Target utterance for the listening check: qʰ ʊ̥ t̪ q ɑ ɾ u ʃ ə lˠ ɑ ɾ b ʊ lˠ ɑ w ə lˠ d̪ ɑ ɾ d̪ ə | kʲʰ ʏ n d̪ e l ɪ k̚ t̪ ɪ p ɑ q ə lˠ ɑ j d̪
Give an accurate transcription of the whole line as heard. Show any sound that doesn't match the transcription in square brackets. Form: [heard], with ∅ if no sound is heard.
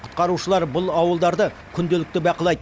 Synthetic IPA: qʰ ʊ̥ t̪ q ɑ ɾ u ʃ ə lˠ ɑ ɾ b ʊ lˠ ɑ w ə lˠ d̪ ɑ ɾ d̪ ə | kʲʰ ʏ n d̪ e l ɪ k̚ t̪ ɪ [b] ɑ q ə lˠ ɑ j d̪